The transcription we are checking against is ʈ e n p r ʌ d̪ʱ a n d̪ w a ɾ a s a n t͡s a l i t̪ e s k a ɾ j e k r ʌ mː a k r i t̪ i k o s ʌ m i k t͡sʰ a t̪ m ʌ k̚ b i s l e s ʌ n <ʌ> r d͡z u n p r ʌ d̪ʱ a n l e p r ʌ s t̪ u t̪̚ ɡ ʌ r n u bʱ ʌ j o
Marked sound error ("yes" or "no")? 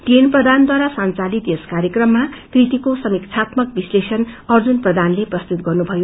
no